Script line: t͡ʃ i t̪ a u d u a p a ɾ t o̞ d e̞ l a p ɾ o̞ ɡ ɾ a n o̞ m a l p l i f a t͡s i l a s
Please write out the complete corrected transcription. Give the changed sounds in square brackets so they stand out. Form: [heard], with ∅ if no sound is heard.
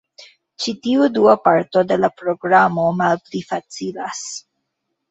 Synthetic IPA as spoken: t͡ʃ i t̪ [i] u d u a p a ɾ t o̞ d e̞ l a p ɾ o̞ ɡ ɾ a [m] o̞ m a l p l i f a t͡s i l a s